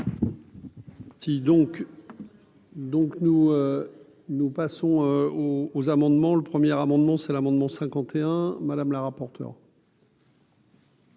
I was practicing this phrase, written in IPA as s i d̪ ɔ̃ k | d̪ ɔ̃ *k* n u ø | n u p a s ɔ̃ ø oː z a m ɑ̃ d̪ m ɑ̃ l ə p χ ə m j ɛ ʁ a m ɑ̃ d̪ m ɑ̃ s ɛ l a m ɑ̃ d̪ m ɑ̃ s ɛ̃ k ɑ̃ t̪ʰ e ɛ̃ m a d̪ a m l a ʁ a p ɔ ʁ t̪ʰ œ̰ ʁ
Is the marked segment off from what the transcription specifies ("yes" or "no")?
no